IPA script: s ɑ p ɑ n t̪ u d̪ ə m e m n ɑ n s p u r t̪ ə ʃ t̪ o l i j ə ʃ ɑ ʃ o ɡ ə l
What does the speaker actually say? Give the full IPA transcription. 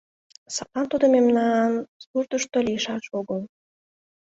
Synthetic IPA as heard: s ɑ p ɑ n t̪ u d̪ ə m e m n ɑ n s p u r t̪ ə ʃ t̪ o l i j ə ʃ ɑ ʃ o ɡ ə l